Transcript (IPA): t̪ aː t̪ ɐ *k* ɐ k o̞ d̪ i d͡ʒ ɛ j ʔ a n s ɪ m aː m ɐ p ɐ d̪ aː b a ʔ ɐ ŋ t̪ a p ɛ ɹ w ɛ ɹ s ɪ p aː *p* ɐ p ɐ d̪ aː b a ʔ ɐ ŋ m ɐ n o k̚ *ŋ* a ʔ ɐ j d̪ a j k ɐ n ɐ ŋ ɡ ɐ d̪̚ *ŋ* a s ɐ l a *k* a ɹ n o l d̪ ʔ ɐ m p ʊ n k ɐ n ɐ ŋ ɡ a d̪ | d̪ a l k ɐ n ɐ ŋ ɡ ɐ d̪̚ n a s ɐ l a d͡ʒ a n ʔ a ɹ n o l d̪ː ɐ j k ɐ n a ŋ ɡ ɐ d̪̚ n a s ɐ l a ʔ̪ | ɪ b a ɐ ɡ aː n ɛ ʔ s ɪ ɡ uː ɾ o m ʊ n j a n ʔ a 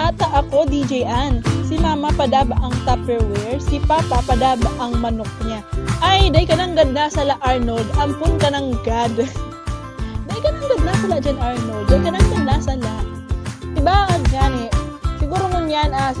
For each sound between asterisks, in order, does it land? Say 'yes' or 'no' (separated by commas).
no, yes, no, no, no